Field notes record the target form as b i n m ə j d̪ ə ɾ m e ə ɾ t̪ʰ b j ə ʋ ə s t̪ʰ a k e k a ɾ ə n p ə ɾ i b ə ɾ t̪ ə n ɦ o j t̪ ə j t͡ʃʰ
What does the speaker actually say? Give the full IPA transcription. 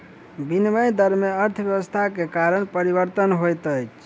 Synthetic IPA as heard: b i n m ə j d̪ ə ɾ m e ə ɾ t̪ʰ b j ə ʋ ə s t̪ʰ a k e k a ɾ ə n p ə ɾ i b ə ɾ t̪ ə n ɦ o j t̪ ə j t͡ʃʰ